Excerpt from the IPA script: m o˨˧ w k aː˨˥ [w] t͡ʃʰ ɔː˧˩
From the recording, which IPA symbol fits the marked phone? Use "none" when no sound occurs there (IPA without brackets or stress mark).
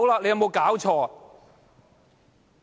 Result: w